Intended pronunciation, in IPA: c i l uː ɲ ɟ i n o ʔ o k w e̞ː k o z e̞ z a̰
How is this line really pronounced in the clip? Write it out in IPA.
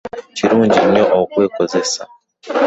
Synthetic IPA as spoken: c i ɾ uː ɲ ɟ i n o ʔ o k w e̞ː k o z e̞ s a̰